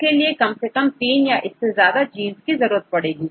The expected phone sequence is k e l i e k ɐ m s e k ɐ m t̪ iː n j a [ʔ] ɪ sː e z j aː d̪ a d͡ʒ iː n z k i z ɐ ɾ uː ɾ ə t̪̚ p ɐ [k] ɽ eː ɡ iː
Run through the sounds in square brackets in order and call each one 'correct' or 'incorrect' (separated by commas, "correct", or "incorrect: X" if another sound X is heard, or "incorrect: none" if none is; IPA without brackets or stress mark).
correct, incorrect: none